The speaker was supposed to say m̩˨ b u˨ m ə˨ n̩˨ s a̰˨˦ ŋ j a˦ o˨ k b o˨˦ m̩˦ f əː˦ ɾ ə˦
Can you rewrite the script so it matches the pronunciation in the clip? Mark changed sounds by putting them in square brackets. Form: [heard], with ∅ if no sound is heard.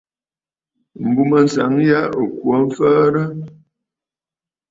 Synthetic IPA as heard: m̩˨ b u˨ m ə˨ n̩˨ s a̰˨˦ ŋ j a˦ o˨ k [w] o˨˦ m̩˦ f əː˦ ɾ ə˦